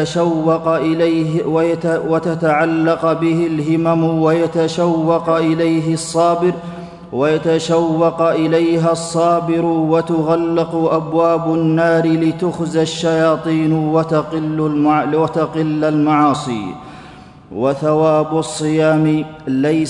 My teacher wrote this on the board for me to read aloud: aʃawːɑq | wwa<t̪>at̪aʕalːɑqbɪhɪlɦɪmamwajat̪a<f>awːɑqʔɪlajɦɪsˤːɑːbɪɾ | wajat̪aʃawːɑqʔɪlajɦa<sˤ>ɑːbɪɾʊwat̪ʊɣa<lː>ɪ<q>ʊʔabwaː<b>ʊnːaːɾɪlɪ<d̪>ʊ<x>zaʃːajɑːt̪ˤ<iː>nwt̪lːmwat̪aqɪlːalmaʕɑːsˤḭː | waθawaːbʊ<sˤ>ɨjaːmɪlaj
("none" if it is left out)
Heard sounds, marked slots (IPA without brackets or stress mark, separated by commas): t̪, ʃ, sˤː, lː, q, b, t̪, x, iː, sˤː